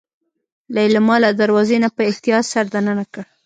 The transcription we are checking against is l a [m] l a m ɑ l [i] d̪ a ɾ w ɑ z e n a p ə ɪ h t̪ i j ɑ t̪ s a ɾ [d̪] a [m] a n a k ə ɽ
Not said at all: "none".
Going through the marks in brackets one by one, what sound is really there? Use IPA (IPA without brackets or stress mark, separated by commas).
none, a, d̪, n